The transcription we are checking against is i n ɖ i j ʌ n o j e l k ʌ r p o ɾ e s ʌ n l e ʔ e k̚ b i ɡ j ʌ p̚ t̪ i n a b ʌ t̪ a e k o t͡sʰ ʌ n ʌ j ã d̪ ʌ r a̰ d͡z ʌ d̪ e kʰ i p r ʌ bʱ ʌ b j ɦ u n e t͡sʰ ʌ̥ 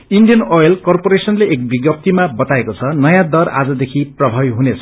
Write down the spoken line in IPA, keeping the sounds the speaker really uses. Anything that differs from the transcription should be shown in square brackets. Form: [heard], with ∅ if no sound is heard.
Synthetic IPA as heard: i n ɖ i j ʌ n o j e l k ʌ r p o ɾ e s ʌ n l e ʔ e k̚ b i ɡ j ʌ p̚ t̪ i [m] a b ʌ t̪ a e k o t͡sʰ ʌ n ʌ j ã d̪ ʌ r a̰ d͡z ʌ d̪ e kʰ i p r ʌ bʱ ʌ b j ɦ u n e t͡sʰ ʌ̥